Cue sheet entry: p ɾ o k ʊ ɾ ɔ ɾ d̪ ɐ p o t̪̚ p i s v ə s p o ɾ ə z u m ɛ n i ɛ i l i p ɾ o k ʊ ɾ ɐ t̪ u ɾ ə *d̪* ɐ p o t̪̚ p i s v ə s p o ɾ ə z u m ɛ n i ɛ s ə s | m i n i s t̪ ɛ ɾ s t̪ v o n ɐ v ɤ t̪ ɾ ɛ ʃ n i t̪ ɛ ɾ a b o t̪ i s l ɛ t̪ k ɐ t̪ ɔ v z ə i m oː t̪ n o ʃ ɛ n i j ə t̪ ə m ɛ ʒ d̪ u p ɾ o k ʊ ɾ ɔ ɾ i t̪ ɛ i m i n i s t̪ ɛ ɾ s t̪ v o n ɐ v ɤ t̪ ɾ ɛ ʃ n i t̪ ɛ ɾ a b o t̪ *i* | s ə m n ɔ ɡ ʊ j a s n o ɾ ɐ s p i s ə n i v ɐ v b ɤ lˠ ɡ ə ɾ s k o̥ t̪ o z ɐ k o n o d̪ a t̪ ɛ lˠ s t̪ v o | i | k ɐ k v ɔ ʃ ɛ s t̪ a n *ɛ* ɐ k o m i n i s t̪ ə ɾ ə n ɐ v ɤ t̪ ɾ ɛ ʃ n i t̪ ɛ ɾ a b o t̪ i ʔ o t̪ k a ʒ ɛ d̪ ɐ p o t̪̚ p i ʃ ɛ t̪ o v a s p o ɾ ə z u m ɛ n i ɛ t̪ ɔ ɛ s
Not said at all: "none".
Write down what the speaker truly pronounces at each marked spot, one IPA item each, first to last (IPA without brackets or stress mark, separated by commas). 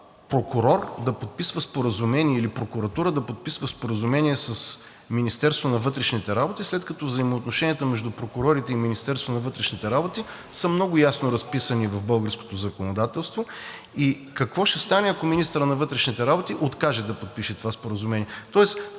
d̪, i, ɛ